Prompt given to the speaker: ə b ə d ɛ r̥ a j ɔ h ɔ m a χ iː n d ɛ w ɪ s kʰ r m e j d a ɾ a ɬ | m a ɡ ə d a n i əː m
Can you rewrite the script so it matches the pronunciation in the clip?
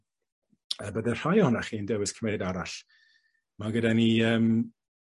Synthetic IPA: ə b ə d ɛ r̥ a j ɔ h ɔ n a χ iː n d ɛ w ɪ s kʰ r m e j d a ɾ a ɬ | m a ɡ ə d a n i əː m